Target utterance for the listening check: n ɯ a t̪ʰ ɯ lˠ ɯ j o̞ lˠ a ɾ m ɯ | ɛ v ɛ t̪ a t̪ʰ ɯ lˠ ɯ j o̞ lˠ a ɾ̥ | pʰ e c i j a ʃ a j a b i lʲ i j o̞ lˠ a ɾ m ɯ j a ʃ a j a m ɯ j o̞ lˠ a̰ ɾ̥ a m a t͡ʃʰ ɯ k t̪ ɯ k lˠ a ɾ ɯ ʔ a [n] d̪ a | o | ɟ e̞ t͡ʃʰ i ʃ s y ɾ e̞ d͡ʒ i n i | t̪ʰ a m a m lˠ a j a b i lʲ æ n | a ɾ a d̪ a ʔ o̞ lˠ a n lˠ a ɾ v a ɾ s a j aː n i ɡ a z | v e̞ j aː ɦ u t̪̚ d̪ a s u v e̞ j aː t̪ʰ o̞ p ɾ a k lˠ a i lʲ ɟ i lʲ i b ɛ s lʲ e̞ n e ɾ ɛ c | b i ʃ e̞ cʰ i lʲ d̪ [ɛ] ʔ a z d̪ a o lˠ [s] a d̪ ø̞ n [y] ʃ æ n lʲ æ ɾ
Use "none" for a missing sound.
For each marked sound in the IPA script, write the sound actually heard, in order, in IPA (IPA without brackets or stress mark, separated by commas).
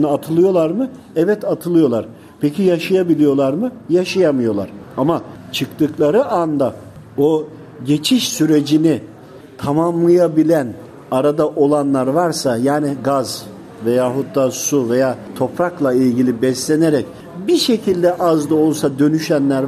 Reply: n, ɛ, s, y